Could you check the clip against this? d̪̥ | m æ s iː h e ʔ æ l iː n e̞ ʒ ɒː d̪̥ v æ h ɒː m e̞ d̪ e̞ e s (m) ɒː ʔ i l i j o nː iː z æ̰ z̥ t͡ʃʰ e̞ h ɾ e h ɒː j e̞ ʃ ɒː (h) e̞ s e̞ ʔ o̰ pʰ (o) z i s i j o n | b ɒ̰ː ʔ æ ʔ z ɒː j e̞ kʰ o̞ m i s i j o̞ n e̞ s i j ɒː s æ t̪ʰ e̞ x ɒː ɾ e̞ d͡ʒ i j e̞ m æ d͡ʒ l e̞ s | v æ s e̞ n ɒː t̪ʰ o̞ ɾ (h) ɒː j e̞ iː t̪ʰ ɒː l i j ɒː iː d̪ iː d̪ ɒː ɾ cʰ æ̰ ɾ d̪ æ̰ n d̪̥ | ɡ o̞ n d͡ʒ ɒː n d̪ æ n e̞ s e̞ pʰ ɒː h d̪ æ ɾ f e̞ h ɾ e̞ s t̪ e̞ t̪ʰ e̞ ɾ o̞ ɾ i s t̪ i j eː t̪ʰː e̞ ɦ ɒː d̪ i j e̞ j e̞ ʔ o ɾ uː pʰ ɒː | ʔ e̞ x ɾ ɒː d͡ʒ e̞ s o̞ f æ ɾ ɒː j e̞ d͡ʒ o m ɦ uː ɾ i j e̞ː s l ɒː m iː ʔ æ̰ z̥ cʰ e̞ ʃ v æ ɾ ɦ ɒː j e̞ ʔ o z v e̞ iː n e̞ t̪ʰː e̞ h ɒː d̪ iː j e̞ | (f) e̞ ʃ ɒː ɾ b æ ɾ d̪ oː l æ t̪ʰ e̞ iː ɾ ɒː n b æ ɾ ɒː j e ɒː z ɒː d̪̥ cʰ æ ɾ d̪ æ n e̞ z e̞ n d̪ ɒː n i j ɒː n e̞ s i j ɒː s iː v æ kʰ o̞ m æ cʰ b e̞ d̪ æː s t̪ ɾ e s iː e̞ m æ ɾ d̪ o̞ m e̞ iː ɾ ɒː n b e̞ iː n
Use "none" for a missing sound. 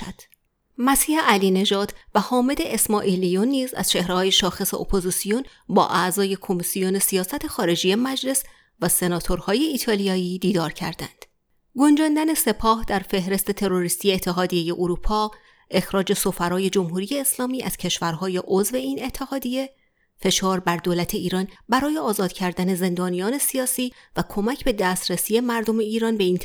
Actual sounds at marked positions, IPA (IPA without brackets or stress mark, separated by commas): m, x, o, h, f